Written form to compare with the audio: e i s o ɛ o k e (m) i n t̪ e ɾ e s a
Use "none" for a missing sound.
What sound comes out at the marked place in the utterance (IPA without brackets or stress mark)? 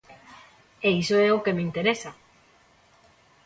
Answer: m